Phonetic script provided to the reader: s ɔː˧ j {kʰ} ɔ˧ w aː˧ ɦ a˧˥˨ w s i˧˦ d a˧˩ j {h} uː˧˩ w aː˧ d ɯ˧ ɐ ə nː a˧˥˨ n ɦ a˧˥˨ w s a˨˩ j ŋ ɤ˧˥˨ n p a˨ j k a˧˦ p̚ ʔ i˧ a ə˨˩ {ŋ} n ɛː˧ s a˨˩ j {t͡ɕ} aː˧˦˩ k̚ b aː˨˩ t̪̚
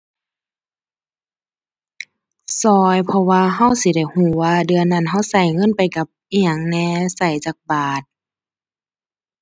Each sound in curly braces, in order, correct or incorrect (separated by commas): incorrect, correct, correct, correct